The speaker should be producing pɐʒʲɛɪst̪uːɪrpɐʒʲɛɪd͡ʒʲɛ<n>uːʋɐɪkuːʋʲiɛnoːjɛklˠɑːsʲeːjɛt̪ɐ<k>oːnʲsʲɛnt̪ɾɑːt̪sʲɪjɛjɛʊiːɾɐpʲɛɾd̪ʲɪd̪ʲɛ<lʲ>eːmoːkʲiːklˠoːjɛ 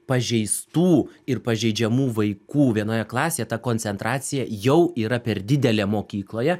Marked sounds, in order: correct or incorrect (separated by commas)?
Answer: incorrect, correct, correct